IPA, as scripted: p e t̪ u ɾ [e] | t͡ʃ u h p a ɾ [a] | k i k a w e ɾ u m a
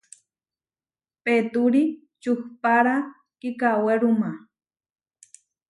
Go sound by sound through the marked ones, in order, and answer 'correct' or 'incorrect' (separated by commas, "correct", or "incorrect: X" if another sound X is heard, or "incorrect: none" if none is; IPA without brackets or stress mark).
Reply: incorrect: i, correct